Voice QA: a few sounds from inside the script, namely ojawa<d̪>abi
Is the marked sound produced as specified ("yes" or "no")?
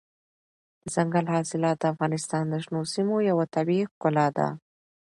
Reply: no